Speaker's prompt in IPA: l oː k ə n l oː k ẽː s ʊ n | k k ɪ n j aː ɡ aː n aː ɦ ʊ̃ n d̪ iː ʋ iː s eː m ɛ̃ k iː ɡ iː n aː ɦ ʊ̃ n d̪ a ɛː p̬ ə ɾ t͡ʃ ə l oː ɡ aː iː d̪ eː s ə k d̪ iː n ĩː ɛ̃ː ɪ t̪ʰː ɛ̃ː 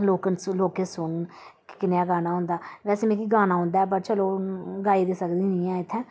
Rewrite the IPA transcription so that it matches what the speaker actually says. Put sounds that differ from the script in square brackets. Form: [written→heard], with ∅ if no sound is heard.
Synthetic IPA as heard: l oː k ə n l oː k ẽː s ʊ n | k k ɪ n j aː ɡ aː n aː ɦ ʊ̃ n d̪ [iː→aː] ʋ [iː→ɛː] s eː m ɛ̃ k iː ɡ [iː→aː] n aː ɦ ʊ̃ n d̪ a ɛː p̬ ə ɾ t͡ʃ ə l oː ɡ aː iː d̪ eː s ə k d̪ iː n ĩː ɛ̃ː ɪ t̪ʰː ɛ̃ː